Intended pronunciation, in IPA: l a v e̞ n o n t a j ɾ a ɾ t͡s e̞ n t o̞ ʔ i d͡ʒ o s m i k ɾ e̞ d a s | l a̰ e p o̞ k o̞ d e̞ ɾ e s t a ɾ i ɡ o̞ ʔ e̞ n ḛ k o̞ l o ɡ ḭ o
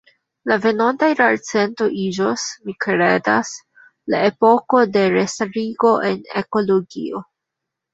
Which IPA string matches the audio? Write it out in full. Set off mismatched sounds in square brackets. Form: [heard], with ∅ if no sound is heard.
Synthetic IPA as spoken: l a v e̞ n o n t a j ɾ a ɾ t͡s e̞ n t o̞ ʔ i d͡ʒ o s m i k ɾ e̞ d a s | l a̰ e p o̞ k o̞ d e̞ ɾ e s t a ɾ i ɡ o̞ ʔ e̞ n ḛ k o̞ l o ɡ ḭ o